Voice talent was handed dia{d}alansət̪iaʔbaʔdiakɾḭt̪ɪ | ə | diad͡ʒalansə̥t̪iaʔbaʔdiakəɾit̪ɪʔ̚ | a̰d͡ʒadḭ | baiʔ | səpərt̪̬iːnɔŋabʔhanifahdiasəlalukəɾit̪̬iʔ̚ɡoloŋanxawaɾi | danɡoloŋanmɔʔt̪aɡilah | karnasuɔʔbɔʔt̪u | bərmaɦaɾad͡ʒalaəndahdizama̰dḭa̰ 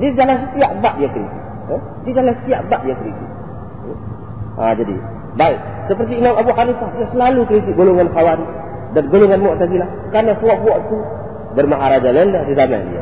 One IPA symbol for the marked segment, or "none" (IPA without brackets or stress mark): d͡ʒ